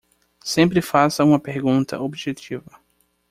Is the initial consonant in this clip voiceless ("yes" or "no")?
yes